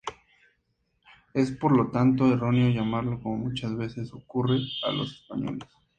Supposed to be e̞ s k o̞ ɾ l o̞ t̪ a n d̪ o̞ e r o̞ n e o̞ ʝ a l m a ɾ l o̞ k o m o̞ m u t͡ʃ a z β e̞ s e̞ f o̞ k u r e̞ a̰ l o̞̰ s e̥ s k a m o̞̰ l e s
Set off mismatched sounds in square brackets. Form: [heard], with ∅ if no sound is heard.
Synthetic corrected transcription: e̞ s [p] o̞ ɾ l o̞ t̪ a n [t̪] o̞ e r o̞ n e o̞ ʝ a [∅] m a ɾ l o̞ k o m o̞ m u t͡ʃ a z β e̞ s e̞ [s] o̞ k u r e̞ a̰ l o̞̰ s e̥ s [p] a [ɲ] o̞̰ l e s